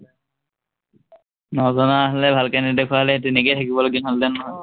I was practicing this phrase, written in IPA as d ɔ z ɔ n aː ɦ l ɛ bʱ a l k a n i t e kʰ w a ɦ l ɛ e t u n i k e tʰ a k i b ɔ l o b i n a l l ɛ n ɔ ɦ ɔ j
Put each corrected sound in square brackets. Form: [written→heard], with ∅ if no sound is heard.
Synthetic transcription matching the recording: [d→n] ɔ z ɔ n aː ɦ l ɛ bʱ a l k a n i [t→d] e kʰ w a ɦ l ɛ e t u n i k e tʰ a k i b ɔ l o [b→ɡ] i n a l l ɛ n ɔ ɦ ɔ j